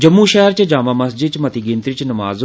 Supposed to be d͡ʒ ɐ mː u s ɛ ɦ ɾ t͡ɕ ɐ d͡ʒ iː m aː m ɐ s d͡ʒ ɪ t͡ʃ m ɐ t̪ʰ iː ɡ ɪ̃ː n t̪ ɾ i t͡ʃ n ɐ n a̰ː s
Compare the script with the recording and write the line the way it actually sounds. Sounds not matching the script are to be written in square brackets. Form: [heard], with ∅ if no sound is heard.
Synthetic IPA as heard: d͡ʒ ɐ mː u [ʃ] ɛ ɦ ɾ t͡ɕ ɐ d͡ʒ [aː] m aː m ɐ s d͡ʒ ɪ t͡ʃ m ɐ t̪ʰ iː ɡ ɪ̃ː n t̪ ɾ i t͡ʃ n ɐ [m] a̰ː [z]

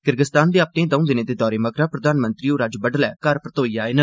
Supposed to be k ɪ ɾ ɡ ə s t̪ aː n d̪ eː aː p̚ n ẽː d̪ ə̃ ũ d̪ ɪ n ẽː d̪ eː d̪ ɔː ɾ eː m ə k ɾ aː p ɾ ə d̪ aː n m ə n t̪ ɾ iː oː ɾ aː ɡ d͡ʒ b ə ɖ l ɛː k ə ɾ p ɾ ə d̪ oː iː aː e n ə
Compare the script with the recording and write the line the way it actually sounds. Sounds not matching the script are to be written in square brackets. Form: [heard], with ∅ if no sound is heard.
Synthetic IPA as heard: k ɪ ɾ ɡ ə s t̪ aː n d̪ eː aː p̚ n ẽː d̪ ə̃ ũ d̪ ɪ n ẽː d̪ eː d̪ ɔː ɾ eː m ə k ɾ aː p ɾ ə d̪ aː n m ə n t̪ ɾ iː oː ɾ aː [∅] d͡ʒ b ə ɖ l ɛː k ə ɾ p ɾ ə [t̪] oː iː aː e n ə

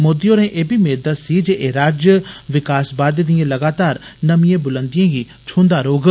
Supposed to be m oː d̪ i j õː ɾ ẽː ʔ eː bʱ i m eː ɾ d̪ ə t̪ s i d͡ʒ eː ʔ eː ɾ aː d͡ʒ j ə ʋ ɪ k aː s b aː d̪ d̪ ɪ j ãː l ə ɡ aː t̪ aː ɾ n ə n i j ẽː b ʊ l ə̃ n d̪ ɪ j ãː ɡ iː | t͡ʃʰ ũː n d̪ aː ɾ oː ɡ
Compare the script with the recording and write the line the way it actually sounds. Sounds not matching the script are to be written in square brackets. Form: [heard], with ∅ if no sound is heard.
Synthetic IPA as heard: m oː d̪ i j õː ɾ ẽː ʔ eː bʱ i m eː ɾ d̪ ə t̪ s i d͡ʒ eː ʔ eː ɾ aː d͡ʒ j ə ʋ ɪ k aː s b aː d̪ d̪ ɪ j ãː l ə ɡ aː t̪ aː ɾ n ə [m] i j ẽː b ʊ l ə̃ n d̪ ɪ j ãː ɡ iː | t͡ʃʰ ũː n d̪ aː ɾ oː ɡ

